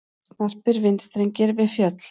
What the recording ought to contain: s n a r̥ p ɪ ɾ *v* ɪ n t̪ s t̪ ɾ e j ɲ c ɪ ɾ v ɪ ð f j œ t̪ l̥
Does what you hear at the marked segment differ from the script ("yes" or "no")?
no